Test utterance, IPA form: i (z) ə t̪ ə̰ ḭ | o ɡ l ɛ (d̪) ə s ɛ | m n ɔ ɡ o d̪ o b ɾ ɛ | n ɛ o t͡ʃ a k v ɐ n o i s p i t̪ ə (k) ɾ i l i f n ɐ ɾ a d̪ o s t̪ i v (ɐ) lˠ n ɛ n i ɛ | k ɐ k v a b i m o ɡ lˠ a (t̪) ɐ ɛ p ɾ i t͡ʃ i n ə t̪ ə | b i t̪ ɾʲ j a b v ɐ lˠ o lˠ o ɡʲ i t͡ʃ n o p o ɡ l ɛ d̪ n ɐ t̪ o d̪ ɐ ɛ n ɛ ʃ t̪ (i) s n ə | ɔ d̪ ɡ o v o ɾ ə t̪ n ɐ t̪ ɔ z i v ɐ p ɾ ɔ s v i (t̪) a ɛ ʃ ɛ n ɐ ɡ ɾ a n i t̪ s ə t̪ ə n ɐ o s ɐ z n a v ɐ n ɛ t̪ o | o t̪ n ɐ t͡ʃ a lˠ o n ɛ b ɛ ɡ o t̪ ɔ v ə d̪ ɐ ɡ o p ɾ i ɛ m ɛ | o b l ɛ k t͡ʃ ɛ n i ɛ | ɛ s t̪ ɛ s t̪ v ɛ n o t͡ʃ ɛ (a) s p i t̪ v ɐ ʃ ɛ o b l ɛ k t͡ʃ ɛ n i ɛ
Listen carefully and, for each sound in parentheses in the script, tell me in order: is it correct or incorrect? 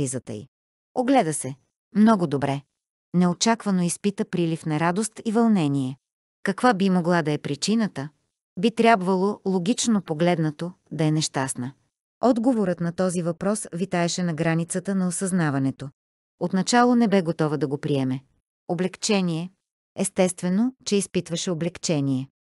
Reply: correct, correct, incorrect, correct, incorrect, incorrect, correct, incorrect

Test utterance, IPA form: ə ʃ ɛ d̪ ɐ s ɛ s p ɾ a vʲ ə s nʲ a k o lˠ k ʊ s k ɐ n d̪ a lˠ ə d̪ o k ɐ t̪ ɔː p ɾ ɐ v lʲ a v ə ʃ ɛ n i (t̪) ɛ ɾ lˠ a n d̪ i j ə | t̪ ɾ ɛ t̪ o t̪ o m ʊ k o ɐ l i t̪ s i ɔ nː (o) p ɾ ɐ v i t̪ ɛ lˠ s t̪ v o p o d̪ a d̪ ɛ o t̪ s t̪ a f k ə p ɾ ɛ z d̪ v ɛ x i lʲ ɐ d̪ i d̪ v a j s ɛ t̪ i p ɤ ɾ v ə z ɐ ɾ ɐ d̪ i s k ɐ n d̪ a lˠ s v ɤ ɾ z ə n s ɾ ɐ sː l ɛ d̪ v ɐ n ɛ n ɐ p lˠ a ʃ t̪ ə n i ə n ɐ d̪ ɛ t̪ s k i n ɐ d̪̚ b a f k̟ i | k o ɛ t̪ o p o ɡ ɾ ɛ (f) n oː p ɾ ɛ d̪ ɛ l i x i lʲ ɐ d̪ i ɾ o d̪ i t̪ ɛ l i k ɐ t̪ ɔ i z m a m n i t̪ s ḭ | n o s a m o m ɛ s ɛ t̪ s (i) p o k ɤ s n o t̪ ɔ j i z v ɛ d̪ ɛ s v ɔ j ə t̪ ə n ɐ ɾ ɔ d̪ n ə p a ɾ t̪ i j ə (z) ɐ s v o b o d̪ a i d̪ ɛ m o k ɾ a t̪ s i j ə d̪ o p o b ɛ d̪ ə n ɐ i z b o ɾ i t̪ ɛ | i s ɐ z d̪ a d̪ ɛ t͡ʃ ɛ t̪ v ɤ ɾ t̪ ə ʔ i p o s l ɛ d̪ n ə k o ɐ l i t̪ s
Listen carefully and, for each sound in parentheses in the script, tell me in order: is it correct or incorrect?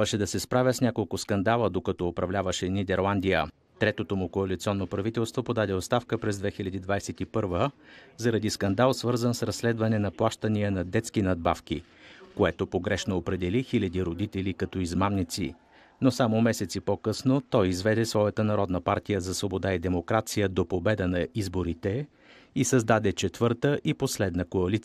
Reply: incorrect, correct, incorrect, correct, correct

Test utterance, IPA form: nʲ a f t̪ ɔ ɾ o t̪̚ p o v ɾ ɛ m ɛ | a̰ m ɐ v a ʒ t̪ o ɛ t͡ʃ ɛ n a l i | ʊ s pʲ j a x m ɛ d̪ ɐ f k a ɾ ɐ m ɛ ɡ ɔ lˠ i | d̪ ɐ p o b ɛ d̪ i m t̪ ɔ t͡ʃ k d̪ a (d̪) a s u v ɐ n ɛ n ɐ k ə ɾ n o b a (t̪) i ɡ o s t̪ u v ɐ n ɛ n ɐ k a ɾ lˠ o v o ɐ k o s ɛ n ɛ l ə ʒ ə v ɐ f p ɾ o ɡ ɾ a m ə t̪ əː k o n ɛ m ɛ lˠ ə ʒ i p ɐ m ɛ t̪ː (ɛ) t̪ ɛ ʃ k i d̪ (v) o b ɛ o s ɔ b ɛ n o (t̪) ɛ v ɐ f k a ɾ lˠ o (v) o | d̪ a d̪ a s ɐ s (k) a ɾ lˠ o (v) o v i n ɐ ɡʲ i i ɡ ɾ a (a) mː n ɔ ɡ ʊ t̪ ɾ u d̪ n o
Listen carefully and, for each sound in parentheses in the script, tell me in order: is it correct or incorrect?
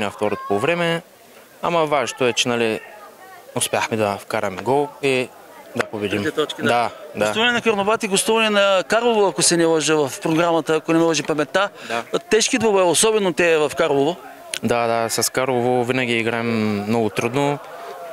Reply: correct, correct, incorrect, correct, correct, correct, correct, correct, incorrect

